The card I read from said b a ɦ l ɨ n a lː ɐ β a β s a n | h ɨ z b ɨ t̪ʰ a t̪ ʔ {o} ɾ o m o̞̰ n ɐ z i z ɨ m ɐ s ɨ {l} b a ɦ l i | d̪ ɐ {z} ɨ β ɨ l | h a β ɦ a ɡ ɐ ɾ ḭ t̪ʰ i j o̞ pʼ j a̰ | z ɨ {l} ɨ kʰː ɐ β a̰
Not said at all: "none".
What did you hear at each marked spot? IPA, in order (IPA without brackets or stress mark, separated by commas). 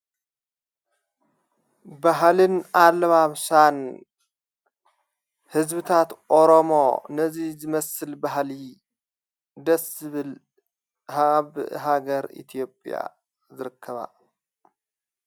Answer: o, l, s, ɾ